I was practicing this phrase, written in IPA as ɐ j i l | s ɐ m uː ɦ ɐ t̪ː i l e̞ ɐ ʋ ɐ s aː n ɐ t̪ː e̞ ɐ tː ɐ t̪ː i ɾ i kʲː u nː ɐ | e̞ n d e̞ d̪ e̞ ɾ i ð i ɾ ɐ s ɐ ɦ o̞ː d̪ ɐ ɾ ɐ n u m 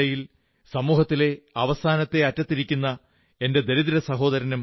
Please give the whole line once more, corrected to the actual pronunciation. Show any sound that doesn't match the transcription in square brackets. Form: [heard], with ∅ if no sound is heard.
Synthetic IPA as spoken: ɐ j i l | s ɐ m uː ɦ ɐ t̪ː i l e̞ ɐ ʋ ɐ s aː n ɐ t̪ː e̞ ɐ tː ɐ t̪ː i ɾ i kʲː u nː ɐ | e̞ n d e̞ d̪ e̞ ɾ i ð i ɾ ɐ s ɐ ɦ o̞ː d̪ ɐ ɾ ɐ n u m

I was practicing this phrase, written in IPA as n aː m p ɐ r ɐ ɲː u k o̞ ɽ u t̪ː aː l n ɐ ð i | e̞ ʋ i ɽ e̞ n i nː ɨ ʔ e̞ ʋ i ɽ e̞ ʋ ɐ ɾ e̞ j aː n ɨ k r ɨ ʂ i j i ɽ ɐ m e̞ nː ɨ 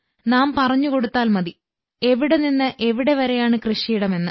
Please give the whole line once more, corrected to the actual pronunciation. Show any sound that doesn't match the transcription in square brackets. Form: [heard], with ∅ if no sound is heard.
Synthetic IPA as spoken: n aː m p ɐ r ɐ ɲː u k o̞ ɽ u t̪ː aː l [m] ɐ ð i | e̞ ʋ i ɽ e̞ n i nː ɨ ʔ e̞ ʋ i ɽ e̞ ʋ ɐ ɾ e̞ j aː [ɳ] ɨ k r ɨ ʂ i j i ɽ ɐ m e̞ nː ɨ

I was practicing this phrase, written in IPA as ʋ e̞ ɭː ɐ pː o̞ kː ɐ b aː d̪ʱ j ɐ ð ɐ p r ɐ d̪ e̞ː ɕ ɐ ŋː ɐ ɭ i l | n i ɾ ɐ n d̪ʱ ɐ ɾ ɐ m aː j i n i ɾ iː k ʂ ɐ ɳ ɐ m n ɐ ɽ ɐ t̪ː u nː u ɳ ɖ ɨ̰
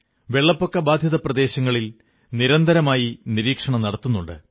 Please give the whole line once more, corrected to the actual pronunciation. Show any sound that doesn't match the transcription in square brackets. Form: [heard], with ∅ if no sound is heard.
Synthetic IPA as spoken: ʋ e̞ ɭː ɐ pː o̞ kː ɐ b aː d̪ʱ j ɐ ð ɐ p r ɐ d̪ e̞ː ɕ ɐ ŋː ɐ ɭ i l | n i ɾ ɐ n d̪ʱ ɐ ɾ ɐ m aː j i n i ɾ iː k ʂ ɐ ɳ ɐ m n ɐ ɽ ɐ t̪ː u nː u ɳ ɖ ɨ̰

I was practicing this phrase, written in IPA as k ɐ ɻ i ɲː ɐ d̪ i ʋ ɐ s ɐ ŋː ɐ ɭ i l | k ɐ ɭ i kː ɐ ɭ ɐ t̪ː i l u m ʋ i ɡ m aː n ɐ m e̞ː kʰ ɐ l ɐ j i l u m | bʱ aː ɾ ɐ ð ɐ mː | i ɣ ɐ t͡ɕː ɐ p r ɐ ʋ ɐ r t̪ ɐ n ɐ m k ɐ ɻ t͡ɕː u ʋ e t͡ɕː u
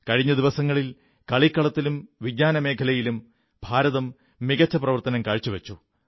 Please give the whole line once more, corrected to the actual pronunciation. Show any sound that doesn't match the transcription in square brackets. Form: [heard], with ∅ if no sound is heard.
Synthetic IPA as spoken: k ɐ ɻ i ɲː ɐ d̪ i ʋ ɐ s ɐ ŋː ɐ ɭ i l | k ɐ ɭ i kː ɐ ɭ ɐ t̪ː i l u m ʋ i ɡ [ɲ] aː n ɐ m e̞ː kʰ ɐ l ɐ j i l u m | bʱ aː ɾ ɐ ð ɐ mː | i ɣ ɐ t͡ɕː ɐ p r ɐ ʋ ɐ r t̪ ɐ n ɐ m k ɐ ɻ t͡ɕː u ʋ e t͡ɕː u

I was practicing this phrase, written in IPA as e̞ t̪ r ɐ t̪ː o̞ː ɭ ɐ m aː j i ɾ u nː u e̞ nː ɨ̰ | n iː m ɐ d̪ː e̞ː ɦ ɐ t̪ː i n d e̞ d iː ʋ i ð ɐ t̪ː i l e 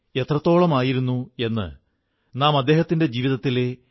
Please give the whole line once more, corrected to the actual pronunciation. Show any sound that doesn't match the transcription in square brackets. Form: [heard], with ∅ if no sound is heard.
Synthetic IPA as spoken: e̞ t̪ r ɐ t̪ː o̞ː ɭ ɐ m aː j i ɾ u nː u e̞ nː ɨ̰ | n [aː] m ɐ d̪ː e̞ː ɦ ɐ t̪ː i n d e̞ [d͡ʑ] iː ʋ i ð ɐ t̪ː i l e

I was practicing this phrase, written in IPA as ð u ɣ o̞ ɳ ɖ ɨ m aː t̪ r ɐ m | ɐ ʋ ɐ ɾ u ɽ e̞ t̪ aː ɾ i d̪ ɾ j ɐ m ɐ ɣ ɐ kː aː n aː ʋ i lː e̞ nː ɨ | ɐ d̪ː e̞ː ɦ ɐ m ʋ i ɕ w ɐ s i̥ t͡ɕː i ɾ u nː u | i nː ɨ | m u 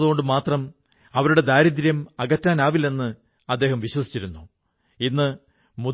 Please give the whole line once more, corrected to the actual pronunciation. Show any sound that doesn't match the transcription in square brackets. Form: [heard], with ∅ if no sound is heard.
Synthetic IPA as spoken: ð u ɣ o̞ ɳ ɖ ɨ m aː t̪ r ɐ m | ɐ ʋ ɐ ɾ u ɽ e̞ [d̪] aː ɾ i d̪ ɾ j ɐ m ɐ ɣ ɐ [tː] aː n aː ʋ i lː e̞ nː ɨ | ɐ d̪ː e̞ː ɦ ɐ m ʋ i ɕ w ɐ s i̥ t͡ɕː i ɾ u nː u | i nː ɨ | m u

